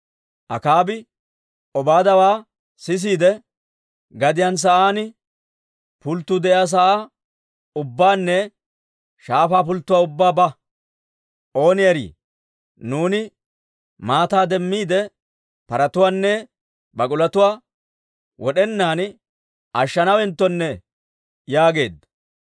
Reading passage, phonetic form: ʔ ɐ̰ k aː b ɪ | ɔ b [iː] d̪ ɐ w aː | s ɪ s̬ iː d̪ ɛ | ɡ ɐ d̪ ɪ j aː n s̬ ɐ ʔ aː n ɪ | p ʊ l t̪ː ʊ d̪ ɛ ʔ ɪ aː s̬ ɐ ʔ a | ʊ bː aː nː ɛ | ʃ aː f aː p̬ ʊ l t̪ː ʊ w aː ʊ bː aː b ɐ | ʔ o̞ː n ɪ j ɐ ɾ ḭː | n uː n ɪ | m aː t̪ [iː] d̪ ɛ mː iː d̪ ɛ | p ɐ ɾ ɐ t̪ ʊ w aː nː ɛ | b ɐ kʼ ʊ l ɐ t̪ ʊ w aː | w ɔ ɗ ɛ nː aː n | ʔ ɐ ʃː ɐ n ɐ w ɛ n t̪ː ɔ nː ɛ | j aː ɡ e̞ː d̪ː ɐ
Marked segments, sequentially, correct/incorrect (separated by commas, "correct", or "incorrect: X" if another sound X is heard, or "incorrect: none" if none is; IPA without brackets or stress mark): incorrect: aː, incorrect: aː